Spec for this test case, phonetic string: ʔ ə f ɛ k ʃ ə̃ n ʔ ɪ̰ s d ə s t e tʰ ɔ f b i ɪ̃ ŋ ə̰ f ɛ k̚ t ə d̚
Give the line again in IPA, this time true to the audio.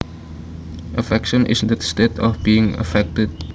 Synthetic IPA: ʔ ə f ɛ k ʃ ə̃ n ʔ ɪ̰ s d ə s t e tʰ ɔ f b i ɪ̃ ŋ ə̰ f ɛ k̚ t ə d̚

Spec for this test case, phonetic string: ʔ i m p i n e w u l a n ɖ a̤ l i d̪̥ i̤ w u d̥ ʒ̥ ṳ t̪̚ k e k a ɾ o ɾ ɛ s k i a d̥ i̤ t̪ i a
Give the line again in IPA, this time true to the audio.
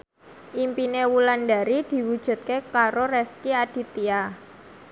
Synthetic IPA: ʔ i m p i n e w u l a n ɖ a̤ ɾ i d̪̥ i̤ w u d̥ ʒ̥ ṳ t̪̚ k e k a ɾ o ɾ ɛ s k i a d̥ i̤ t̪ i a

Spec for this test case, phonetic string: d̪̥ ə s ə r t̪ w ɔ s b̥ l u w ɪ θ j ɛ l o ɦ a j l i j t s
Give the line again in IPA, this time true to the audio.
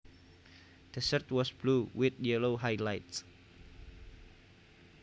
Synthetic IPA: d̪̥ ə s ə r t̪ w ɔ s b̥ l u w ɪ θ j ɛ l o ɦ a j l a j t s

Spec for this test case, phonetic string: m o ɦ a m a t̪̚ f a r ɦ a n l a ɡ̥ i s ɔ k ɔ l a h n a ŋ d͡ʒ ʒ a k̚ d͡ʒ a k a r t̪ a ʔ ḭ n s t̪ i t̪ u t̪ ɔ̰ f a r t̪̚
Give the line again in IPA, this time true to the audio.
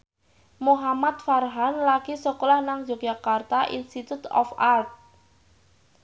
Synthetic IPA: m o ɦ a m a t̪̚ f a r ɦ a n l a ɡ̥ i s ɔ k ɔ l a h n a ŋ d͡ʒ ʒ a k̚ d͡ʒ a k a r t̪ a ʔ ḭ n s t̪ i t̪ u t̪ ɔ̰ f a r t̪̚

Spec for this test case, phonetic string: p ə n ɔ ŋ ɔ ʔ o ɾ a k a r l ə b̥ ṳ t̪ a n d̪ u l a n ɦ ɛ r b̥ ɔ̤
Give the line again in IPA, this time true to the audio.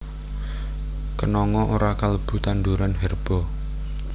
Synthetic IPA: k ə n ɔ ŋ ɔ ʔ o ɾ a k a l ə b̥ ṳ t̪ a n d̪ u ɾ a n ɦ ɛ r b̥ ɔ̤

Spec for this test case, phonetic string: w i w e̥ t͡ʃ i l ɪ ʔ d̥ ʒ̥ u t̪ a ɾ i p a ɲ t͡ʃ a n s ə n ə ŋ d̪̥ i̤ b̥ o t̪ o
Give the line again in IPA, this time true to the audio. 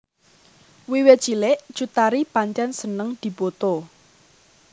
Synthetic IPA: w i w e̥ t͡ʃ i l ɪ ʔ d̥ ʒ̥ u t̪ a ɾ i p a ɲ t͡ʃ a n s ə n ə ŋ d̪̥ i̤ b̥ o t̪ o

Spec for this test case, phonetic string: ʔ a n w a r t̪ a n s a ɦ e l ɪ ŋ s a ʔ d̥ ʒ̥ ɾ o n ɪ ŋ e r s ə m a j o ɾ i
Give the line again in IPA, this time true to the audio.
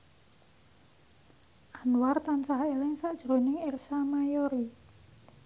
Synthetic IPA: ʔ a n w a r t̪ a n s a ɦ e l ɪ ŋ s a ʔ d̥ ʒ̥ ɾ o n ɪ ŋ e r s a m a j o ɾ i

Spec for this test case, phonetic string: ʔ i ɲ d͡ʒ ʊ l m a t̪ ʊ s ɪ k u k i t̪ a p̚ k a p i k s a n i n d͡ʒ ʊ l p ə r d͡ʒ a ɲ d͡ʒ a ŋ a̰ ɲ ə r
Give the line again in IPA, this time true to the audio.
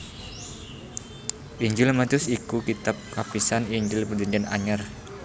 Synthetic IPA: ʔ i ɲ d͡ʒ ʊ l m a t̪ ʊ s i k u k i t̪ a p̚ k a p i s a n i ɲ d͡ʒ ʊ l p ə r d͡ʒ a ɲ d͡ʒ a n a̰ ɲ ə r

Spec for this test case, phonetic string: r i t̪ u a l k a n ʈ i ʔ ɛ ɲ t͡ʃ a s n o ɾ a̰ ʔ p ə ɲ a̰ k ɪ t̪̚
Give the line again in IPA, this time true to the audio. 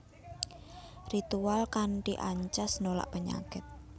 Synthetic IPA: r i t̪ u a l k a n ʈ i ʔ a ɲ t͡ʃ a s n o l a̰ ʔ p ə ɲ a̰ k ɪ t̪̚

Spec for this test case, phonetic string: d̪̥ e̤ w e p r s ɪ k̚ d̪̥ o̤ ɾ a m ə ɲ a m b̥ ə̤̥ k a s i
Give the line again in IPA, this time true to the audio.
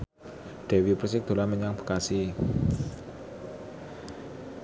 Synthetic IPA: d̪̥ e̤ w i p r s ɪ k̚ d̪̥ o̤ l a m ə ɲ a ŋ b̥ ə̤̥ k a s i

